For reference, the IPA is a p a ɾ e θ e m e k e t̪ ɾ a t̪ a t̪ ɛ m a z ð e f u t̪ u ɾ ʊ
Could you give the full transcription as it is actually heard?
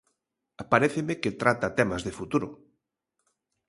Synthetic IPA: a p a ɾ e θ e m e k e t̪ ɾ a t̪ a t̪ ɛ m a z ð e f u t̪ u ɾ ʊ